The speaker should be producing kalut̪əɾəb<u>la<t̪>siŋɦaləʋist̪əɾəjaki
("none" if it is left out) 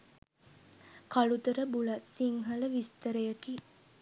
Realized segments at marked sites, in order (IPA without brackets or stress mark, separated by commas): u, t̪